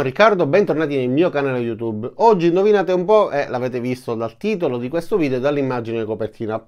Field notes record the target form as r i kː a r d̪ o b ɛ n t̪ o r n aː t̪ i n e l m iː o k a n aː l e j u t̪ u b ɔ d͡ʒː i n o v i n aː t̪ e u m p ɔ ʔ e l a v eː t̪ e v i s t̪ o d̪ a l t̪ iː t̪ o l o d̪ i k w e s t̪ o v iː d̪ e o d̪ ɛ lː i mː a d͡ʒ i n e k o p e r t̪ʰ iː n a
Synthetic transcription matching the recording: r i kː a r d̪ o b ɛ n t̪ o r n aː t̪ i n e l m iː o k a n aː l e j u t̪ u b ɔ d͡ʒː i n o v i n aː t̪ e u m p ɔ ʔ e l a v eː t̪ e v i s t̪ o d̪ a l t̪ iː t̪ o l o d̪ i k w e s t̪ o v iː d̪ e o d̪ a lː i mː a d͡ʒ i n e k o p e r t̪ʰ iː n a